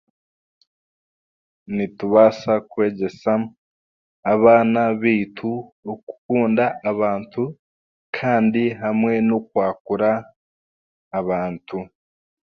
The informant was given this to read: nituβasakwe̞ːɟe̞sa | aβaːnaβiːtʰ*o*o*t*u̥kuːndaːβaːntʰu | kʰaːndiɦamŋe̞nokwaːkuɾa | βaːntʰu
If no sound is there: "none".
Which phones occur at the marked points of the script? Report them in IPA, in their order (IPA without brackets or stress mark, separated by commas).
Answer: u, k